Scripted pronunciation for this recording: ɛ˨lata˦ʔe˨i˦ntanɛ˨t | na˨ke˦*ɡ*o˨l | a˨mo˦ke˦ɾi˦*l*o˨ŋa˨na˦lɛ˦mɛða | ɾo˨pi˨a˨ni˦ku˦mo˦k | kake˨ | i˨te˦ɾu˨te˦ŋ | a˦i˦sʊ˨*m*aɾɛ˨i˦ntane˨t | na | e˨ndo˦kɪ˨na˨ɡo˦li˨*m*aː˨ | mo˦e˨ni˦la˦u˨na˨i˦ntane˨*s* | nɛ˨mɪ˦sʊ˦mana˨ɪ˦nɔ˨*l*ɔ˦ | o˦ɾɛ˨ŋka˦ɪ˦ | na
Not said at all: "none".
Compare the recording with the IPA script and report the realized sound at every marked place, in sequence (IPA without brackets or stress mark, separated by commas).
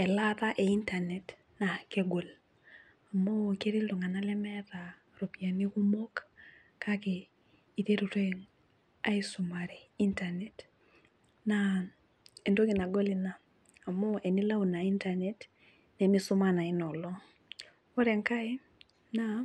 ɡ, l, m, n, t, l